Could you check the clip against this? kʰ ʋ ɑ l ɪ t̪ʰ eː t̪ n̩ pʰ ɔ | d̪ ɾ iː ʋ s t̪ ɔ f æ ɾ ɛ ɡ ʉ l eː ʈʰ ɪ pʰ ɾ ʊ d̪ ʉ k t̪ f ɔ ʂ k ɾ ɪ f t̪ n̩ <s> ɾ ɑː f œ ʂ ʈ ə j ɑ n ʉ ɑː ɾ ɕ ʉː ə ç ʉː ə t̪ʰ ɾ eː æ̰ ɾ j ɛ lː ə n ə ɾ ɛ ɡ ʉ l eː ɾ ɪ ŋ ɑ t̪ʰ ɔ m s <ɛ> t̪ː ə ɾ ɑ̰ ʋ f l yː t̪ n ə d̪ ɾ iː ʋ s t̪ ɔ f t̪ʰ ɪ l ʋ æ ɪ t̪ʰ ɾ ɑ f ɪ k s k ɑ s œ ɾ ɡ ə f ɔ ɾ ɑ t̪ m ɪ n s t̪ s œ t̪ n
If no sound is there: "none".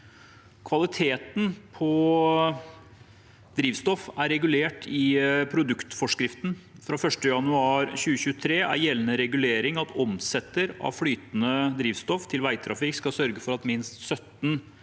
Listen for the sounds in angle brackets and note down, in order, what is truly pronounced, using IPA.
f, ɛ

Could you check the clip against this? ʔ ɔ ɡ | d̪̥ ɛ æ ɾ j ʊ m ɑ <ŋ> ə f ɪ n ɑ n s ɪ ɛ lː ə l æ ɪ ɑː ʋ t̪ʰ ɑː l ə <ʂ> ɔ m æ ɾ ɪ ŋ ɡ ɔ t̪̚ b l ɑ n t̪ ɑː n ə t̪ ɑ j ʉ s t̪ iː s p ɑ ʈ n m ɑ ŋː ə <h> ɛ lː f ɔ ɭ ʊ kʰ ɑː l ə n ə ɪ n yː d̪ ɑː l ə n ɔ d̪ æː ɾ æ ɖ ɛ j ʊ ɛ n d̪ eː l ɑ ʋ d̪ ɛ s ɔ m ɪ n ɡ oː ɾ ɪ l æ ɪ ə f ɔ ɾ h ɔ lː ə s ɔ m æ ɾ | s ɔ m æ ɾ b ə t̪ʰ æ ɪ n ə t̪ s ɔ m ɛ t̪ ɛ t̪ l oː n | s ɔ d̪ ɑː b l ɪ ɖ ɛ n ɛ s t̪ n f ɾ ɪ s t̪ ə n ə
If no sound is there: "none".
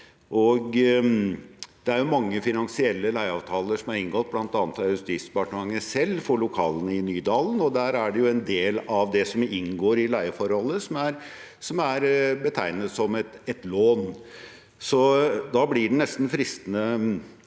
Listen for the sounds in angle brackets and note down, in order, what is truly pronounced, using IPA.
ŋː, ʂ, s

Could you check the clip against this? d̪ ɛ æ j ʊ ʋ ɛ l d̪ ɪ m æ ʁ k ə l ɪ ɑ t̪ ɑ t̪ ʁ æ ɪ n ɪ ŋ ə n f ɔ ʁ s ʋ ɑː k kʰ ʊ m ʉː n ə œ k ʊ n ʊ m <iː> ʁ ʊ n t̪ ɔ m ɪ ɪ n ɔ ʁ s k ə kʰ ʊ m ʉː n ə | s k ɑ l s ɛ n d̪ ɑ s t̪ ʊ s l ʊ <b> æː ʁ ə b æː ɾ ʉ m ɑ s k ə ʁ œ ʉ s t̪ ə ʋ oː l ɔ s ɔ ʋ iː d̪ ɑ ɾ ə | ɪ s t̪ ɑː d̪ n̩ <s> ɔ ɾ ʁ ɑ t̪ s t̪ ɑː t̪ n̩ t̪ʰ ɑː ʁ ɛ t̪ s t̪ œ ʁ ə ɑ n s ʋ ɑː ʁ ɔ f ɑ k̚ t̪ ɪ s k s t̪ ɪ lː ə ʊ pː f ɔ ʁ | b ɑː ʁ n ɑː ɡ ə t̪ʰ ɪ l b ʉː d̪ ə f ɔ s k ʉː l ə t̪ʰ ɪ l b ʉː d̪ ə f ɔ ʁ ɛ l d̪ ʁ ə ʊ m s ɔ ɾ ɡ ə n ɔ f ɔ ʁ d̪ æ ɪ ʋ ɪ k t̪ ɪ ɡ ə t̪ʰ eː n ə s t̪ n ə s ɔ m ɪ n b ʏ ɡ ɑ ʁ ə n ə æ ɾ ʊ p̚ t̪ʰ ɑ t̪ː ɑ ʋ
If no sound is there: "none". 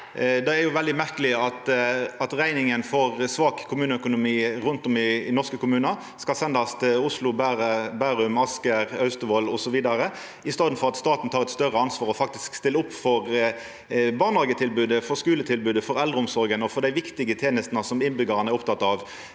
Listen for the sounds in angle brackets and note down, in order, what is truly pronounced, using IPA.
iː, b, f

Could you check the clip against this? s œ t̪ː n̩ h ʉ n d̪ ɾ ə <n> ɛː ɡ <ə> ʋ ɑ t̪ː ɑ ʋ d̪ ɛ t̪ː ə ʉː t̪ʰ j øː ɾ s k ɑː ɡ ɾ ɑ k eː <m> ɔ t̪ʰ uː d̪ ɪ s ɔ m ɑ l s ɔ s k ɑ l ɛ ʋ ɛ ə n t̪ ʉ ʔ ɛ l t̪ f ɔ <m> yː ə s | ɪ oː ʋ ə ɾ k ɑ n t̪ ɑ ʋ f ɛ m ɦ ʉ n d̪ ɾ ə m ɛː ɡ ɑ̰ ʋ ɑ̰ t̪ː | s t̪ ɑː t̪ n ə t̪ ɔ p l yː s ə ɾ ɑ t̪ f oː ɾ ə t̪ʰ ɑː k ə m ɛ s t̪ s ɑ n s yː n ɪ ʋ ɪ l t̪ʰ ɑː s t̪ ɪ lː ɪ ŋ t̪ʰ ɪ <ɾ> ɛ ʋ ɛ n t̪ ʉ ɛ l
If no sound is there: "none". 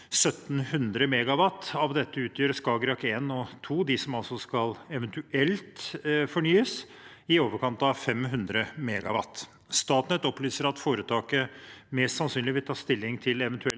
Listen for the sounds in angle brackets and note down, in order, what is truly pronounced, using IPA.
m, ɑ, n, ɳ, l

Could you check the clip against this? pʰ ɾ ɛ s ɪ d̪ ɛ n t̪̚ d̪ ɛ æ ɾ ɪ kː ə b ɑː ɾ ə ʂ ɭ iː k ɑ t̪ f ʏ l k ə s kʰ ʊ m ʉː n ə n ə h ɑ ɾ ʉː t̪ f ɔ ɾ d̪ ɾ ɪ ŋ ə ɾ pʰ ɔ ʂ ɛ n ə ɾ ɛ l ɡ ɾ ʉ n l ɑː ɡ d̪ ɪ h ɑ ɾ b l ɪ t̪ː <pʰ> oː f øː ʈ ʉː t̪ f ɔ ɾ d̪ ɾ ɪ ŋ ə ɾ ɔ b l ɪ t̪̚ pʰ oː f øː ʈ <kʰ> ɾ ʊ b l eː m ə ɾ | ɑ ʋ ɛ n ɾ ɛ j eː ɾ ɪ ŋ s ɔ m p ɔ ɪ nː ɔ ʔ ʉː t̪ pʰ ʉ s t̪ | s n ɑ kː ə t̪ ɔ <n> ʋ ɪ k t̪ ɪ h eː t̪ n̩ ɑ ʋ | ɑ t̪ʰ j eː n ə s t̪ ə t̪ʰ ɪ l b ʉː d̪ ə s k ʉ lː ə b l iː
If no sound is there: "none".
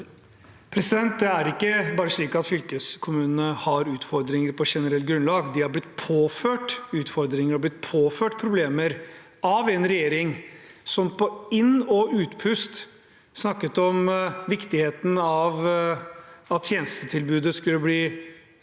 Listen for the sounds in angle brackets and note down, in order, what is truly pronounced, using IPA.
pʰ, pʰ, m

